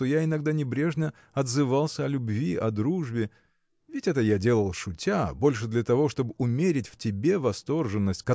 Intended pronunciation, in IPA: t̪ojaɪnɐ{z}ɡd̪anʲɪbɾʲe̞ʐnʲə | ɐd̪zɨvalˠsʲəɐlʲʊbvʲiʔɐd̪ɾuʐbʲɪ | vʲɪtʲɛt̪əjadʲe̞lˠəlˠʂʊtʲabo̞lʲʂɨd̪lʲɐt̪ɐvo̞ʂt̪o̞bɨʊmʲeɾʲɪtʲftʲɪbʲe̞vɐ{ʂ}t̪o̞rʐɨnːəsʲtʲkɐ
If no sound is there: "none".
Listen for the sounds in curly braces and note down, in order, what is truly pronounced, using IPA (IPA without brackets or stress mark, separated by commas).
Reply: none, s